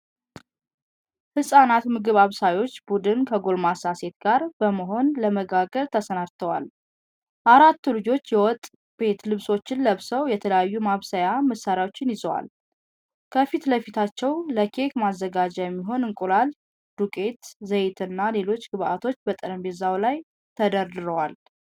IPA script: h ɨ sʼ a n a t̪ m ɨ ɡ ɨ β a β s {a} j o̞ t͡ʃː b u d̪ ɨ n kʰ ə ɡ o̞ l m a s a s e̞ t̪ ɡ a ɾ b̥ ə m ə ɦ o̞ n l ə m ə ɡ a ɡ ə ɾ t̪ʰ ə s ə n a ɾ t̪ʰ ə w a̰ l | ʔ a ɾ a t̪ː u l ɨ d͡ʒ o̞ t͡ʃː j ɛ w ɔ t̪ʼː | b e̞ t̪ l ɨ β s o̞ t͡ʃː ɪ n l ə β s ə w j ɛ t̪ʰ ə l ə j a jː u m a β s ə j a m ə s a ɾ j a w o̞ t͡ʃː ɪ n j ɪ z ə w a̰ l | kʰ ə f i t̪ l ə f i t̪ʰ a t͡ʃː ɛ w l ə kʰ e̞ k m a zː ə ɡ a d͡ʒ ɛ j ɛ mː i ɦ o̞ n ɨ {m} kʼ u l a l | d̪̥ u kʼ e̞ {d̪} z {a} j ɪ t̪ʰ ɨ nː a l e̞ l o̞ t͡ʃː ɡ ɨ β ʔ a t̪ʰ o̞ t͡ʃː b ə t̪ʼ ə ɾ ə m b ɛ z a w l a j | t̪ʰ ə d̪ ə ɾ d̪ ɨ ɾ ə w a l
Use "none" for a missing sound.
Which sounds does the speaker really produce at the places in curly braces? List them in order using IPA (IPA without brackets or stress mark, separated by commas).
a, ŋ, t̪, ə